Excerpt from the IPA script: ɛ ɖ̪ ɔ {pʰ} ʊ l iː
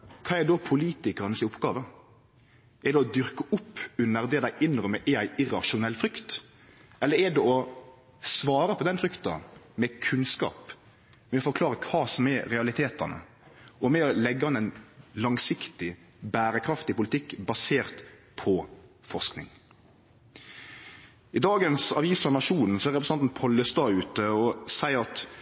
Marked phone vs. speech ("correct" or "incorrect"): correct